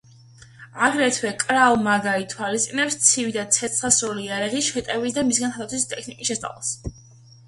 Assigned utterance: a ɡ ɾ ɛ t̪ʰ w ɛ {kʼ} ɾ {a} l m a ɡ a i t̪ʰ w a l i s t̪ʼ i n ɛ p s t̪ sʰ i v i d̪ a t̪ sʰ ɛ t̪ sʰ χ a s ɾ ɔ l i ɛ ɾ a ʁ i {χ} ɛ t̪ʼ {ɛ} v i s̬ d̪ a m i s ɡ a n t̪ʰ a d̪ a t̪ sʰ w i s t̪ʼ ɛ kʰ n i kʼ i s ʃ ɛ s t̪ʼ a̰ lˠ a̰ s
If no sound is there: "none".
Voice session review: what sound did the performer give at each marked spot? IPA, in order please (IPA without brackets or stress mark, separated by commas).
kʼ, a, ʃ, ɛ